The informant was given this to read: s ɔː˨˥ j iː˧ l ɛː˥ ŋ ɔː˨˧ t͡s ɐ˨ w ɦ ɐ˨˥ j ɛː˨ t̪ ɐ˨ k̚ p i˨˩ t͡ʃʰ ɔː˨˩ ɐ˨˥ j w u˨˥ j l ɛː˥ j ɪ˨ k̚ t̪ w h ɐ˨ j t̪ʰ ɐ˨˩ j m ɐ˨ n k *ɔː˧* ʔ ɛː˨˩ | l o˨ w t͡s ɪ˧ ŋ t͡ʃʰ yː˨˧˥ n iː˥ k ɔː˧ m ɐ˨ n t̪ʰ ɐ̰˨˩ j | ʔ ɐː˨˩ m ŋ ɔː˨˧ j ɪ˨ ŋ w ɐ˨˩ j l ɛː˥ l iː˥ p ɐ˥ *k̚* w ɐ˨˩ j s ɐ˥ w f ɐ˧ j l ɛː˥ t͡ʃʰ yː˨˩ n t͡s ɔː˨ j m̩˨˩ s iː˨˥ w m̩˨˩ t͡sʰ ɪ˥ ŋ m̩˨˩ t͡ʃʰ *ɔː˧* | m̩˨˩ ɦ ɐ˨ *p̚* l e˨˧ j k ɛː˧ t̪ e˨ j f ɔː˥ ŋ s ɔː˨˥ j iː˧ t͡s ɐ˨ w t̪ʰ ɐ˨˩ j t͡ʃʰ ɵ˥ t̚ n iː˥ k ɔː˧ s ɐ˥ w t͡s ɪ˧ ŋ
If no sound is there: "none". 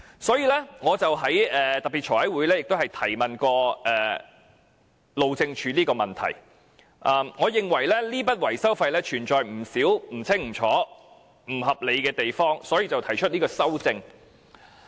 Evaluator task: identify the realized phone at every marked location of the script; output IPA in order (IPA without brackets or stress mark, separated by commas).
ɔː˧, t̚, ɔː˨˥, p̚